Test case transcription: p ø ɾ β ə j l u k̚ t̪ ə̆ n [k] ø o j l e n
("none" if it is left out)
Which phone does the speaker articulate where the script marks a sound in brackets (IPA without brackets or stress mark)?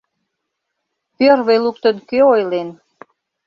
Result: k